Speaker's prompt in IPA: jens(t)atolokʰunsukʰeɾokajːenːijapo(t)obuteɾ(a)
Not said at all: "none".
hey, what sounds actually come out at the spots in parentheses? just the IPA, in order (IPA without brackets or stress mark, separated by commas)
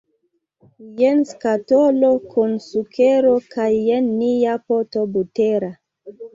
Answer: k, t, a